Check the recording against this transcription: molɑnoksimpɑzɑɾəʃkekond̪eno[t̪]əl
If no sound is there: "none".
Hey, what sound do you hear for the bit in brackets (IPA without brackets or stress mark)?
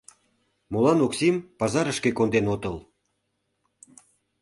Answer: t̪